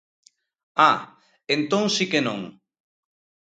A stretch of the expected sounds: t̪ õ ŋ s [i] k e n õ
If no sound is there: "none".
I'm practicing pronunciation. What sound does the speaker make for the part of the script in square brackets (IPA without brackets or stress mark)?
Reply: i